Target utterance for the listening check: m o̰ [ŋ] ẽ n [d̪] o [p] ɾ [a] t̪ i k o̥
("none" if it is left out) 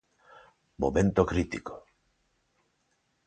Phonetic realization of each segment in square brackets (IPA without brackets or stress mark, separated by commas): m, t̪, k, i